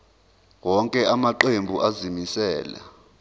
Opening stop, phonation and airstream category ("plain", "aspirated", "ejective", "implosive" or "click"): ejective